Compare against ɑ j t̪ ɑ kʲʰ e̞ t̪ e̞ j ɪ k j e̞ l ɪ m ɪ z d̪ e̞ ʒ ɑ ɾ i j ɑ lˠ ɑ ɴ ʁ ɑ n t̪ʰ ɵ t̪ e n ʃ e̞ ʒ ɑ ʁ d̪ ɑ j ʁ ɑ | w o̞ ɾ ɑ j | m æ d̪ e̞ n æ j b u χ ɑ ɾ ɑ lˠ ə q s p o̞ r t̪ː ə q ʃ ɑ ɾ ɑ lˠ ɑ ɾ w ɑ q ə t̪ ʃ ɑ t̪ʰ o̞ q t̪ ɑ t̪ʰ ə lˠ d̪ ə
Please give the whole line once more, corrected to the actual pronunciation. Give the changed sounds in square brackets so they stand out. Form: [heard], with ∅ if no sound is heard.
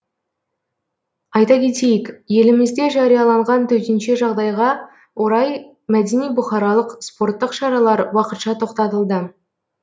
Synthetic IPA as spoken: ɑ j t̪ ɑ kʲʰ e̞ t̪ e̞ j ɪ k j e̞ l ɪ m ɪ z d̪ e̞ ʒ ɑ ɾ i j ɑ lˠ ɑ ɴ ʁ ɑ n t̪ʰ ɵ t̪ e n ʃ e̞ ʒ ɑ ʁ d̪ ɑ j ʁ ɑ | w o̞ ɾ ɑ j | m æ d̪ e̞ n [i] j b [ʊ] χ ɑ ɾ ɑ lˠ ə q s p o̞ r t̪ː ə q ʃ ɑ ɾ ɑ lˠ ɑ ɾ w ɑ q ə t̪ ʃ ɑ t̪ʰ o̞ q t̪ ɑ [t̪] ə lˠ d̪ ə